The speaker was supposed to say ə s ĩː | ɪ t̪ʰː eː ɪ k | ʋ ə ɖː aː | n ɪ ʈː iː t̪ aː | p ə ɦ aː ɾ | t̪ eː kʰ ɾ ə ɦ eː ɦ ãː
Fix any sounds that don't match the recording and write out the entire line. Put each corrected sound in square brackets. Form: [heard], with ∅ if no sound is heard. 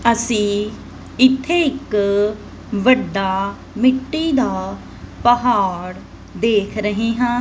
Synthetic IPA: ə s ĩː | ɪ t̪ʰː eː ɪ k | ʋ ə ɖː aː | [m] ɪ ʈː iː [d̪] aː | p ə ɦ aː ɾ | [d̪] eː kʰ ɾ ə ɦ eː ɦ ãː